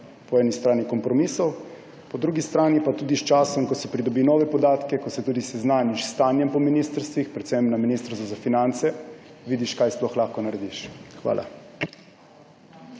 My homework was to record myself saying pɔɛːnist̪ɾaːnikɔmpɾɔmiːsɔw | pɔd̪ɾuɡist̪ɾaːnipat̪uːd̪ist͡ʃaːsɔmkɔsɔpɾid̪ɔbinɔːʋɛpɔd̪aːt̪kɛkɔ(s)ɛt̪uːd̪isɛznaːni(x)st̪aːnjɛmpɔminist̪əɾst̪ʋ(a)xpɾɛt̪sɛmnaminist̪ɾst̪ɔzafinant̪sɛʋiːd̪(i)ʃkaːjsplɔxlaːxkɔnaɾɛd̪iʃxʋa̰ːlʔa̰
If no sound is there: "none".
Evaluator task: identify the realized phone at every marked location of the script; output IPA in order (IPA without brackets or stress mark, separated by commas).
s, ʃ, i, i